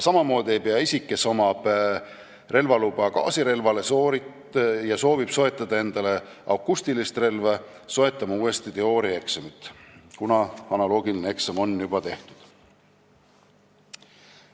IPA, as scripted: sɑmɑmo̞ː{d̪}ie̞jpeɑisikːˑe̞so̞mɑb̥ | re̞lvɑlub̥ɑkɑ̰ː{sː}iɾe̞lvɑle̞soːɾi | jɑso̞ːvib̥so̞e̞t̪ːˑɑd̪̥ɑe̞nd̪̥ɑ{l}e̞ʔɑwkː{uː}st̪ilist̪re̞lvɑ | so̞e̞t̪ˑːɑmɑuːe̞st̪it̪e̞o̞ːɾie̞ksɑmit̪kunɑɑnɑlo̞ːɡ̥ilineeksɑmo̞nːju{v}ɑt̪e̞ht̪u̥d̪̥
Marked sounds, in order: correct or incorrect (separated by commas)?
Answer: correct, incorrect, correct, incorrect, incorrect